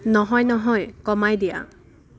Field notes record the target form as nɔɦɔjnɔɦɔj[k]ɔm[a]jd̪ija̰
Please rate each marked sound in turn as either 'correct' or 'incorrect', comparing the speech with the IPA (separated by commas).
correct, correct